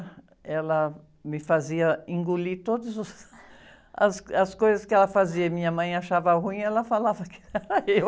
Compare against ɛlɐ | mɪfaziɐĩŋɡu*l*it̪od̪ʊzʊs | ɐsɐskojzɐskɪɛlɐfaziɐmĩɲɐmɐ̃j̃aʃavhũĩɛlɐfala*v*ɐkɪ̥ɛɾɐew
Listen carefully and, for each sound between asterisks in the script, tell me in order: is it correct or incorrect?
correct, correct

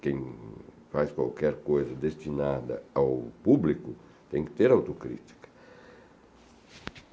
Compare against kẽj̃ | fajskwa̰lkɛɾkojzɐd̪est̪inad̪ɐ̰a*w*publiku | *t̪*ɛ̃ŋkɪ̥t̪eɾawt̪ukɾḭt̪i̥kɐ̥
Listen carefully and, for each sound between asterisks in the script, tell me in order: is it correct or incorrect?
correct, correct

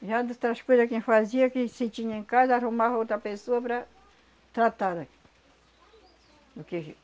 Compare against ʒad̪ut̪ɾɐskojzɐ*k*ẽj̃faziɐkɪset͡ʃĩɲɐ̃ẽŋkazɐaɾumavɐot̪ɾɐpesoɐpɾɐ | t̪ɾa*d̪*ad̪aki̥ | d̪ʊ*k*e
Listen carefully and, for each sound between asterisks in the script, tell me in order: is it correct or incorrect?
correct, incorrect: t̪, correct

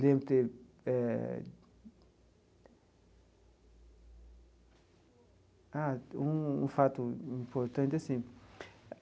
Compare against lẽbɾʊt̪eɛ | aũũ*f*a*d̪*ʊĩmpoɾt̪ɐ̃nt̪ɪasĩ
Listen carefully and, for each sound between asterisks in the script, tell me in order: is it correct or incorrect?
correct, incorrect: t̪

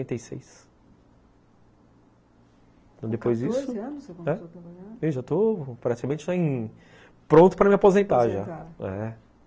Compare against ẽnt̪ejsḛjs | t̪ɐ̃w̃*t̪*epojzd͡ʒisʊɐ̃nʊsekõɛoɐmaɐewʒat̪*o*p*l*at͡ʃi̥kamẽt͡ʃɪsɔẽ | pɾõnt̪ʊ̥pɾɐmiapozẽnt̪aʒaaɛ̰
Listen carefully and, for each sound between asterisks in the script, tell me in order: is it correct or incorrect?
incorrect: d̪, correct, incorrect: ɾ

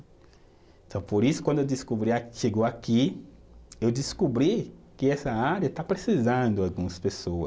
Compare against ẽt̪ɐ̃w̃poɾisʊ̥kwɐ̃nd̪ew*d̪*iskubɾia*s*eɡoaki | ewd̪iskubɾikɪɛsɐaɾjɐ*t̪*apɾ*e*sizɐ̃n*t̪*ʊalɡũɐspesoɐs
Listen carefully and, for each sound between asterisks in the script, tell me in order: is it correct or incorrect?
correct, incorrect: ʃ, correct, correct, incorrect: d̪

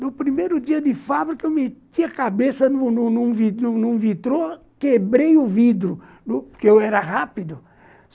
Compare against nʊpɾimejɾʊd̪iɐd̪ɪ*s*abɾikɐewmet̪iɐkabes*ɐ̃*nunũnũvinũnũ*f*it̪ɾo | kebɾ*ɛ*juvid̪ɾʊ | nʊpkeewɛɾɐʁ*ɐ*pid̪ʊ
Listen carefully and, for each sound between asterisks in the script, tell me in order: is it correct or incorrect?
incorrect: f, incorrect: ɐ, incorrect: v, incorrect: e, incorrect: a

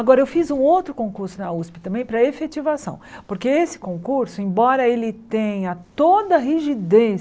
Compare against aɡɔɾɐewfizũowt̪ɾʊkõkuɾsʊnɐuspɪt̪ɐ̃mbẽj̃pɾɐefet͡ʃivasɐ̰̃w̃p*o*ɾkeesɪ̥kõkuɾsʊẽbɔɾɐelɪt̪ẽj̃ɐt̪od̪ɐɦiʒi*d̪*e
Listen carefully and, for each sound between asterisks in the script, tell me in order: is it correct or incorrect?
correct, correct

